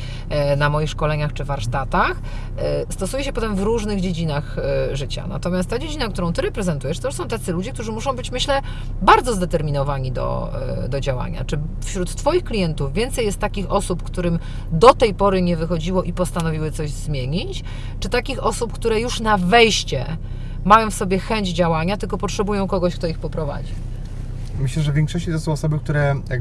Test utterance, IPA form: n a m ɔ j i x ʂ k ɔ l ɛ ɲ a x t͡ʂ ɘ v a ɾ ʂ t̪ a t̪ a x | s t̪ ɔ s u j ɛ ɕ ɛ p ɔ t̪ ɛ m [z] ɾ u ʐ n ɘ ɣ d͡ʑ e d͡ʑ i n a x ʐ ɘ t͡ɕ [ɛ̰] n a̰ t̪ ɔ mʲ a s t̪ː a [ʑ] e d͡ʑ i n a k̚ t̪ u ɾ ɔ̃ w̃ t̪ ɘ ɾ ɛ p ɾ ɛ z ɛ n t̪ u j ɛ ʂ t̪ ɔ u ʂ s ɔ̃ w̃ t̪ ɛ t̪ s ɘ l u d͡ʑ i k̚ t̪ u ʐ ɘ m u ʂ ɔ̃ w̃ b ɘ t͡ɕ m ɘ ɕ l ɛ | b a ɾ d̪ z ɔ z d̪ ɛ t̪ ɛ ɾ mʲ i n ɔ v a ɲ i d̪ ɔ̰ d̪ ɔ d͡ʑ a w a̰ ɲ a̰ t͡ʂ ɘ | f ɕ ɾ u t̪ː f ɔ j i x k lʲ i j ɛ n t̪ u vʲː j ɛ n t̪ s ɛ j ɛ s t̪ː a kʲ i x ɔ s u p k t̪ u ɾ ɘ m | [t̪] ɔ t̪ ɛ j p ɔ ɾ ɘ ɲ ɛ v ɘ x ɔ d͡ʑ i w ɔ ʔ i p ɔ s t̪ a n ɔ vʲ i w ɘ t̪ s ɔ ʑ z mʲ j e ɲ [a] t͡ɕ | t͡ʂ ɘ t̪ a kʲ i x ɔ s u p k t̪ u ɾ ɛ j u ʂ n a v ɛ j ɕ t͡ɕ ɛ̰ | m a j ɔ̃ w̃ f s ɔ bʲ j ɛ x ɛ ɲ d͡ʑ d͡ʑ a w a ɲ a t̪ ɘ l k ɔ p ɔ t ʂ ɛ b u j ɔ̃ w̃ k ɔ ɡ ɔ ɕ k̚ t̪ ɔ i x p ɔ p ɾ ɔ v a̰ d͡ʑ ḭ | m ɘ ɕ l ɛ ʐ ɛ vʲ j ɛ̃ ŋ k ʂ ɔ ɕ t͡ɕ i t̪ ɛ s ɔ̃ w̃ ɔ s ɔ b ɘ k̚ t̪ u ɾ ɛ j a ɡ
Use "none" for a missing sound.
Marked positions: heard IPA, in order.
v, a̰, d͡ʑ, d̪, i

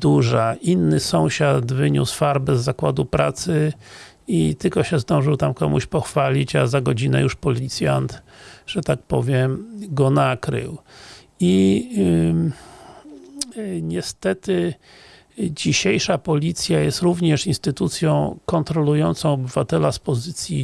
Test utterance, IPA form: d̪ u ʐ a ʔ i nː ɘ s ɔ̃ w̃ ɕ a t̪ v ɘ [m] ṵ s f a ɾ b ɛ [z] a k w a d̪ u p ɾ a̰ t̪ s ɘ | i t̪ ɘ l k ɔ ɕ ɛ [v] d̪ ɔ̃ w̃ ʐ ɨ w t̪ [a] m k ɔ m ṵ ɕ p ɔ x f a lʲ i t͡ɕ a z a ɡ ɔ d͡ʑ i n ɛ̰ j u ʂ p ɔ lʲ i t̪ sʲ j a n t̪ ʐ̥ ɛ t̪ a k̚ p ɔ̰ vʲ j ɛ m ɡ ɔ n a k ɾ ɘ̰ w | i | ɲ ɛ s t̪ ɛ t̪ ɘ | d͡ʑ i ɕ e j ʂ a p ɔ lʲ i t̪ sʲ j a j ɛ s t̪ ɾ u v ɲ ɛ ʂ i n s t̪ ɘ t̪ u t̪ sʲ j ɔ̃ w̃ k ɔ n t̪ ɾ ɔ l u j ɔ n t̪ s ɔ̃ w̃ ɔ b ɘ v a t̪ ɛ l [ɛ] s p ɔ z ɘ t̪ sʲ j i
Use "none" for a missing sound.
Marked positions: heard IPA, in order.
ɲ, zː, z, a, a

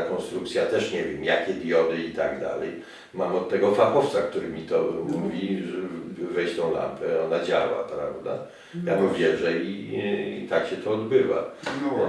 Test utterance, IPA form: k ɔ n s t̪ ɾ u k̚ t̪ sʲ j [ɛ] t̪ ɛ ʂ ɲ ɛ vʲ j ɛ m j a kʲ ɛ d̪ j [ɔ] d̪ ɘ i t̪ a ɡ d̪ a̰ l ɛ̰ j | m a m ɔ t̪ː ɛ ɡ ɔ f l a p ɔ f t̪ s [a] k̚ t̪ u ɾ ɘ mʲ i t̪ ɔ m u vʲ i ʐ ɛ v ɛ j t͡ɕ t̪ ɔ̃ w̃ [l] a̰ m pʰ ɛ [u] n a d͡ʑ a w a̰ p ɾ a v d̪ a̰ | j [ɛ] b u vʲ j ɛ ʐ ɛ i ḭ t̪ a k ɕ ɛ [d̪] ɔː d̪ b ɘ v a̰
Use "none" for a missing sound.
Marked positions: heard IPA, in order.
a, ɔ, a, l, ɔ, a, t̪

